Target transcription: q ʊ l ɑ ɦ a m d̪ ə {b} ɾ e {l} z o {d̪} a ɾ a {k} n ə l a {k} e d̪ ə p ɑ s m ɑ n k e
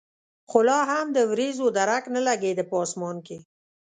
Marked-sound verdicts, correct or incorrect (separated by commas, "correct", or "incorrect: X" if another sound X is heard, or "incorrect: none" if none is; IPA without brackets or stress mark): incorrect: w, incorrect: none, correct, correct, incorrect: ɡ